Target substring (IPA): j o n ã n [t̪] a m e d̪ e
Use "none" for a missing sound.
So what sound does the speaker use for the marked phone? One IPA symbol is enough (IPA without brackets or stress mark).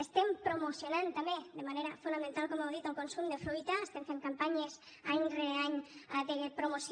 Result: t̪